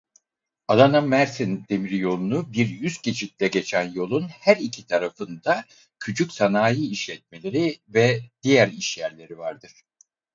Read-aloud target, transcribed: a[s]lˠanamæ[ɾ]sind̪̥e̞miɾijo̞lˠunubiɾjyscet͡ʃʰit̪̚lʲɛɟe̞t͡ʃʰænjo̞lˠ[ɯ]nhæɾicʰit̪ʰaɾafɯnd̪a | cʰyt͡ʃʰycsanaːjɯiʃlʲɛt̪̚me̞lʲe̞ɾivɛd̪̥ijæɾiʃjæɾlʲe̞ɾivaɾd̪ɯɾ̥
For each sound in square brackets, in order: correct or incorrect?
incorrect: none, correct, incorrect: u

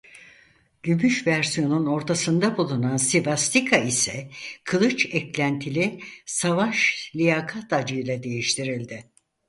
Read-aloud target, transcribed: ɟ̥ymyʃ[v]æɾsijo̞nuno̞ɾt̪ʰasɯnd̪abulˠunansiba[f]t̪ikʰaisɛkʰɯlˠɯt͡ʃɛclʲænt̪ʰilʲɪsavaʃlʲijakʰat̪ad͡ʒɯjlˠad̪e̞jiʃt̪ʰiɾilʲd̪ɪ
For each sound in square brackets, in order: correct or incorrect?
correct, incorrect: s

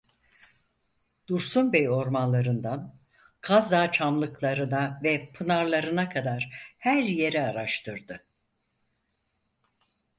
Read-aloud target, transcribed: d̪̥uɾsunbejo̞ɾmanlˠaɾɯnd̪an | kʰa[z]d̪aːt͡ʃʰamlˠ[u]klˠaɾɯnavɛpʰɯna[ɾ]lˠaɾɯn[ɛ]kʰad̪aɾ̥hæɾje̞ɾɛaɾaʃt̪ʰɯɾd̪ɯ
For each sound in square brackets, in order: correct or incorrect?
correct, incorrect: ɯ, correct, incorrect: a

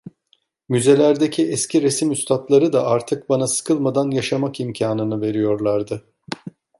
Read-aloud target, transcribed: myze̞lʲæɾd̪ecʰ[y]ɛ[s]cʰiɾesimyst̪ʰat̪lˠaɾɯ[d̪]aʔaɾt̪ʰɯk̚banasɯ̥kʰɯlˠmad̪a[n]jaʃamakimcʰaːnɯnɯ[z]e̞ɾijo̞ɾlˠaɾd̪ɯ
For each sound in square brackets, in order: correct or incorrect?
incorrect: i, correct, correct, correct, incorrect: v

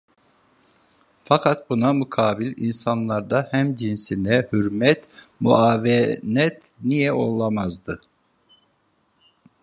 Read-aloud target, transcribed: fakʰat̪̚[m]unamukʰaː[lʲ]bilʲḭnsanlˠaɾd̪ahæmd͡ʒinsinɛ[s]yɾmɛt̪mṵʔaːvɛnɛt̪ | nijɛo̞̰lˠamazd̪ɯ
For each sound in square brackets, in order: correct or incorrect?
incorrect: b, incorrect: none, incorrect: h

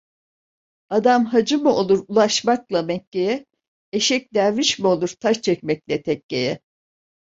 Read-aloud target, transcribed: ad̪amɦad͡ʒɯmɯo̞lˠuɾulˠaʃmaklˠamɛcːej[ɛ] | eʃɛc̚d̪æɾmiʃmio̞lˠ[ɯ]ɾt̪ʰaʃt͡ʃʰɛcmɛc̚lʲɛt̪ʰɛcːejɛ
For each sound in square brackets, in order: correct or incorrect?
correct, incorrect: u

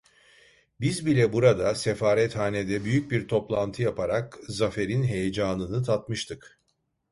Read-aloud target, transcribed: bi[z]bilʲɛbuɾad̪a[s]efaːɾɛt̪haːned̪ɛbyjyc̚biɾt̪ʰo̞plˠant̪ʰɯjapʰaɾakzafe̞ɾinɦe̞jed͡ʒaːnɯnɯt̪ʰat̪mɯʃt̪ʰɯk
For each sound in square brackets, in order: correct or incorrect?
correct, correct

